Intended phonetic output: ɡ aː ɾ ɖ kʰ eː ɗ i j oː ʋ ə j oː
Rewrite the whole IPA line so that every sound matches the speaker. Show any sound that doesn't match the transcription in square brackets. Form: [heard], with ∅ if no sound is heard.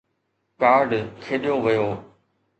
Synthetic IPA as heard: [k] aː ɾ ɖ kʰ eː ɗ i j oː ʋ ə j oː